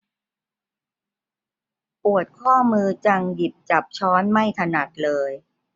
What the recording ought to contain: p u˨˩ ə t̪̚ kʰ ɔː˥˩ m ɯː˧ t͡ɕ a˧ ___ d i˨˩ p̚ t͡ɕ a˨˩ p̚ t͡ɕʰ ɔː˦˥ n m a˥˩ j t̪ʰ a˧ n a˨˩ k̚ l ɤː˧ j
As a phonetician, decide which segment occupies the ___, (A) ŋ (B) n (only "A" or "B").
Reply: A